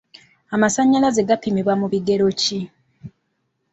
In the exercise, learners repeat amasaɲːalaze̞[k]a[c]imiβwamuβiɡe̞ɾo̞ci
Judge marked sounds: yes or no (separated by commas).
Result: no, no